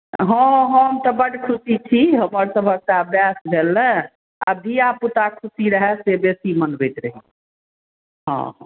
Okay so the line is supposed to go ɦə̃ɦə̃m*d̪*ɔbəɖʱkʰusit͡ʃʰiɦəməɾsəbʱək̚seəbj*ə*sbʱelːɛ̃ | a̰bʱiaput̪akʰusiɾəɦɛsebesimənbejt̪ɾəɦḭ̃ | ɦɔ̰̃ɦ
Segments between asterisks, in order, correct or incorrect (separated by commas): incorrect, incorrect